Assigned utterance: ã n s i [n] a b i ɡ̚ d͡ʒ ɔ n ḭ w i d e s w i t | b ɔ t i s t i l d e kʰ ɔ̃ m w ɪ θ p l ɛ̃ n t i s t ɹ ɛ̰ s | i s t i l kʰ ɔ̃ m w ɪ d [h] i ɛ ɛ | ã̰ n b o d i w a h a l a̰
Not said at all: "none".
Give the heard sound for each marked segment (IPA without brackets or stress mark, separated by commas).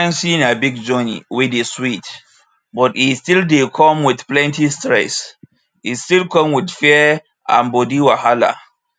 n, f